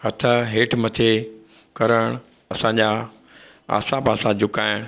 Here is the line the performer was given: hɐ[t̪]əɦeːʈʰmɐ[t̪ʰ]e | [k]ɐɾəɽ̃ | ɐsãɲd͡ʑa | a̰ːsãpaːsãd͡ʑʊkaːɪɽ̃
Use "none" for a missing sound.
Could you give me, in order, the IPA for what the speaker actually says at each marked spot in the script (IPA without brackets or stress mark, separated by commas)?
t̪ʰ, t̪ʰ, k